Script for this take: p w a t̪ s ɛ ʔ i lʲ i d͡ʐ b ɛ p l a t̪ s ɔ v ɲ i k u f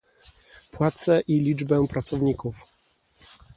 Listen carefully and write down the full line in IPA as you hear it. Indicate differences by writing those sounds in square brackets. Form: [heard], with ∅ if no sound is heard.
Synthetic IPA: p w a t̪ s ɛ ʔ i lʲ i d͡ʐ b ɛ p [ɾ] a t̪ s ɔ v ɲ i k u f